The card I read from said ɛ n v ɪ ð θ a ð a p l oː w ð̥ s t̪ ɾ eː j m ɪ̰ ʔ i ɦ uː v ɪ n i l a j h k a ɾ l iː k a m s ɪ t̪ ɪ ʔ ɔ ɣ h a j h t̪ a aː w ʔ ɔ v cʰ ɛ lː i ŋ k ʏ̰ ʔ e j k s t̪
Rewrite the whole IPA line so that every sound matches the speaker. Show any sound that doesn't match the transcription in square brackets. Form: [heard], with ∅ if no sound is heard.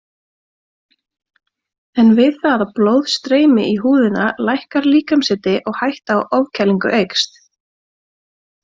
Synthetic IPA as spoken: ɛ n v ɪ ð θ a ð a p l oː w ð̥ s t̪ ɾ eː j m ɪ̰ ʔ i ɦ uː [ð] ɪ n [a] l a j h k a ɾ l iː k a m s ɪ t̪ ɪ ʔ ɔ ɣ h a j h t̪ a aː w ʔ ɔ v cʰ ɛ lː i ŋ k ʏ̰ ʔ e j k s t̪

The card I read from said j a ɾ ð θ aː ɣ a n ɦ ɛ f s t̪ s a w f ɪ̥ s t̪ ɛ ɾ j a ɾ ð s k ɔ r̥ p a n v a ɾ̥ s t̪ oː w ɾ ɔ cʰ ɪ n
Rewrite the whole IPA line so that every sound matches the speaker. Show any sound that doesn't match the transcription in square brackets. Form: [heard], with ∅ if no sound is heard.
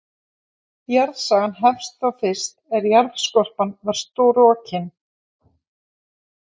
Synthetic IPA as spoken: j a ɾ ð [s] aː ɣ a n ɦ ɛ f s t̪ [θ] a w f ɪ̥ s t̪ ɛ ɾ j a ɾ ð s k ɔ r̥ p a n v a ɾ̥ s t̪ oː w ɾ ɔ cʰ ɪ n

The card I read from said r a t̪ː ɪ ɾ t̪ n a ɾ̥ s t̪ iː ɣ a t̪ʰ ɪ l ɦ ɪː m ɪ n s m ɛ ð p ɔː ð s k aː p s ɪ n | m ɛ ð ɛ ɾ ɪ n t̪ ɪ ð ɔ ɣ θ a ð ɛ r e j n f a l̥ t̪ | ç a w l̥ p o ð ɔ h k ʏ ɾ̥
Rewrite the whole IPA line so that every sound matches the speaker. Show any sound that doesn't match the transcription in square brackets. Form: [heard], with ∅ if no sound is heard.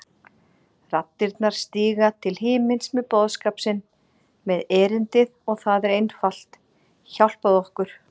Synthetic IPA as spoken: r a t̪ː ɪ ɾ t̪ n a ɾ̥ s t̪ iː ɣ a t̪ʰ ɪ l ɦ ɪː m ɪ n s m ɛ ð p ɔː ð s k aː p s ɪ n | m ɛ ð [ɛː] ɾ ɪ n t̪ ɪ ð ɔ ɣ θ a ð ɛ [ɾ] e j n f a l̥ t̪ | ç a w l̥ p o ð ɔ h k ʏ ɾ̥

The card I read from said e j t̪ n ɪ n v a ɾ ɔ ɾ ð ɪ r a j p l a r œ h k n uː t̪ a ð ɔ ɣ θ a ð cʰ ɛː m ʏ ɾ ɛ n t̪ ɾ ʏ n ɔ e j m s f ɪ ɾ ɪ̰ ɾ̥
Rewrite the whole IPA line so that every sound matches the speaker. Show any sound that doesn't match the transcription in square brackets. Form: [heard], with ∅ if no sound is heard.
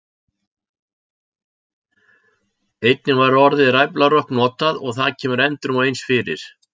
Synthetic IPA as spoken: e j t̪ n ɪ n v a ɾ ɔ ɾ ð ɪ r a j p l a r œ h k n [ɔː] t̪ a ð ɔ ɣ θ a ð cʰ ɛː m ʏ ɾ ɛ n t̪ ɾ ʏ [m] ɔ e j [n] s f ɪ ɾ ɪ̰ ɾ̥

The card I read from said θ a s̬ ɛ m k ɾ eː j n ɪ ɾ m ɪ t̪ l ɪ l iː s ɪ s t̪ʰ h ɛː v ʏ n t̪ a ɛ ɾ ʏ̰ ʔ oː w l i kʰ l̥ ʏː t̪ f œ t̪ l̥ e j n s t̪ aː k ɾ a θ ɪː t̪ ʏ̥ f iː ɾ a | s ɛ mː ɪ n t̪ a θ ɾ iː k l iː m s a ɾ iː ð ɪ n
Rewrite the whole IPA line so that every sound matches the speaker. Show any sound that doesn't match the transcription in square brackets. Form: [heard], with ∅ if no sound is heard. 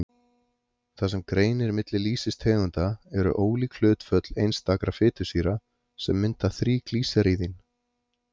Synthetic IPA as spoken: θ a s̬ ɛ m k ɾ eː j n ɪ ɾ m ɪ t̪ l ɪ l iː s ɪ s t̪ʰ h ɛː [ɣ] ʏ n t̪ a ɛ ɾ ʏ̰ ʔ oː w l i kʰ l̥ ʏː t̪ f œ t̪ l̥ e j n s t̪ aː k ɾ a [f] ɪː t̪ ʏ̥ [s] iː ɾ a | s ɛ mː ɪ n t̪ a θ ɾ iː k l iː [∅] s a ɾ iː ð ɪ n

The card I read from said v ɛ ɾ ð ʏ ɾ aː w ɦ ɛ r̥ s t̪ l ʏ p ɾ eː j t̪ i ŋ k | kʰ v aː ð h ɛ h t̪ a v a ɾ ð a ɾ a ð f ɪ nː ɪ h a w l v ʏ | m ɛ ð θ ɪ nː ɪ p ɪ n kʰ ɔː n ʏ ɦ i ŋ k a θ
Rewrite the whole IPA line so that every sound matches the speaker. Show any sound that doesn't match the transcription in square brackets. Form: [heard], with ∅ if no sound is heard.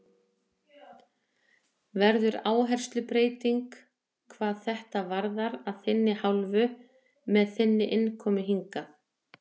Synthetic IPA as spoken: v ɛ ɾ ð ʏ ɾ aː w ɦ ɛ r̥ s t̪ l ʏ p ɾ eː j t̪ i ŋ k | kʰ v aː ð [θ] ɛ h t̪ a v a ɾ ð a ɾ a ð [θ] ɪ nː ɪ h a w l v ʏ | m ɛ ð θ ɪ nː ɪ [ʔ] ɪ n kʰ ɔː [m] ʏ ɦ i ŋ k a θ

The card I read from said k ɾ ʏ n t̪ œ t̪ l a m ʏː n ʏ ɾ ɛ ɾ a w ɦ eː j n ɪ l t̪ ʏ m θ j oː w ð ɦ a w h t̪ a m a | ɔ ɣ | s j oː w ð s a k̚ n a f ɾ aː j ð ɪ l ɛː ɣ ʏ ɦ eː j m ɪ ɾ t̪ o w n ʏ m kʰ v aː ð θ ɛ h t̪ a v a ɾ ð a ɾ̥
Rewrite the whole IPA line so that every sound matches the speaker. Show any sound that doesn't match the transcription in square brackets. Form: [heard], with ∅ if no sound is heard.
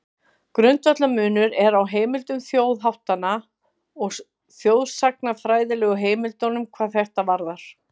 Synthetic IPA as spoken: k ɾ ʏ n t̪ œ t̪ l a m ʏː n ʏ ɾ ɛ ɾ a w ɦ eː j [m] ɪ l t̪ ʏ m θ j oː w ð ɦ a w h t̪ a [n] a | ɔ ɣ | [θ] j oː w ð s a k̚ n a f ɾ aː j ð ɪ l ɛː ɣ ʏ ɦ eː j m ɪ [l] t̪ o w n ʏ m kʰ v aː ð θ ɛ h t̪ a v a ɾ ð a ɾ̥

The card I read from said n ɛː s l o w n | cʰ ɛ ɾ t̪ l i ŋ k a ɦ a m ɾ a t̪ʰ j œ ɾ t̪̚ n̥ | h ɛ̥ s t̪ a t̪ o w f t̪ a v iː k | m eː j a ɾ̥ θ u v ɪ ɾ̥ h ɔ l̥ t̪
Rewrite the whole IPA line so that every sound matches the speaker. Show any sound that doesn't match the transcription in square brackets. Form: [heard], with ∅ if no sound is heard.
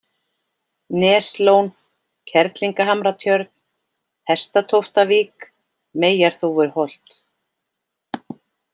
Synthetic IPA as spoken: n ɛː s l o w n | cʰ ɛ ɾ t̪ l i ŋ k a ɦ a m ɾ a t̪ʰ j œ ɾ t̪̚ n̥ | h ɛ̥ s t̪ a [t̪ʰ] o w f t̪ a v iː k | m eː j a ɾ̥ θ u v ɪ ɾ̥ h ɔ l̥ t̪

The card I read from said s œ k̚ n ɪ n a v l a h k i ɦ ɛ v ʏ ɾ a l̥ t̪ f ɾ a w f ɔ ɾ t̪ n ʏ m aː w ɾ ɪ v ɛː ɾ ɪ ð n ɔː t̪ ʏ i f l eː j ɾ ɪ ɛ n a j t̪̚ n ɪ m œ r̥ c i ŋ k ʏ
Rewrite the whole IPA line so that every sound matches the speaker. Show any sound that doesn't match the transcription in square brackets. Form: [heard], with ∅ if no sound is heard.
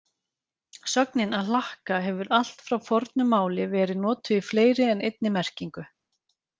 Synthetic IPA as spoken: s œ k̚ n ɪ n a [ð] l a h k [a] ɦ ɛ v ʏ ɾ a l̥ t̪ f ɾ a w f ɔ ɾ t̪ n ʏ m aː w [l] ɪ v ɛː ɾ ɪ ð n ɔː t̪ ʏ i f l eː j ɾ ɪ ɛ n [e] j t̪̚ n ɪ m [ɛ] r̥ c i ŋ k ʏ

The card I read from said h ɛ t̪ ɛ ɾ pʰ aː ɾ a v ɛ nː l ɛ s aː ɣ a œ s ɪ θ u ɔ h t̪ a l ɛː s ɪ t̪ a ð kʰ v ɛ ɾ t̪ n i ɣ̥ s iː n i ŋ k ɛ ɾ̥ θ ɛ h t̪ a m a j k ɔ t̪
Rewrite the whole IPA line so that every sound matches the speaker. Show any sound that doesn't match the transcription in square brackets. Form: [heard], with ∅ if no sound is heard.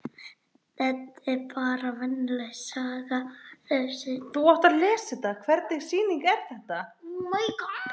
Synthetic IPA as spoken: [θ] ɛ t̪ ɛ ɾ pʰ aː ɾ a v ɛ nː l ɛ s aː ɣ a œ s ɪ θ u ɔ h t̪ a l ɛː s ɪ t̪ a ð kʰ v ɛ ɾ t̪ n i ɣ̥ s iː n i ŋ k ɛ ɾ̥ θ ɛ h t̪ a m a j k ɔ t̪

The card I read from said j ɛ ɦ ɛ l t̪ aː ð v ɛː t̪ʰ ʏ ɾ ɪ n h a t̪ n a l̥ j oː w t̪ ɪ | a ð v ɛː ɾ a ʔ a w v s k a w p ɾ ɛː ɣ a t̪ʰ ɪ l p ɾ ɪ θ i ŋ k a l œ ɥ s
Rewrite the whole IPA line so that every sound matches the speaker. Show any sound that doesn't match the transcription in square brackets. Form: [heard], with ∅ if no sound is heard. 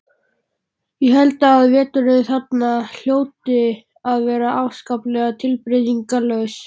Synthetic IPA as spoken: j ɛ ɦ ɛ l t̪ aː ð v ɛː [t̪] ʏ ɾ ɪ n [θ] a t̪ n a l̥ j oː w t̪ ɪ | a ð v ɛː ɾ a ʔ a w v s k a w p [l] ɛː ɣ a t̪ʰ ɪ l p ɾ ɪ [ð] i ŋ k a l œ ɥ s

